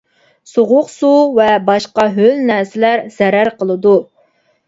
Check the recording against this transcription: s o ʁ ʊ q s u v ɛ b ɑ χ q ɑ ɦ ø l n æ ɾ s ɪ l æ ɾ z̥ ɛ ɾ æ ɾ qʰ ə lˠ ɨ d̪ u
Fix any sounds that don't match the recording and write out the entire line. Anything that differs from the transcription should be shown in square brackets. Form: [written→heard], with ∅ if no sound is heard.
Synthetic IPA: s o ʁ ʊ q s u v ɛ b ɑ [χ→ʃ] q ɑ ɦ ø l n æ ɾ s ɪ l æ ɾ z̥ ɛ ɾ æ ɾ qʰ ə lˠ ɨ d̪ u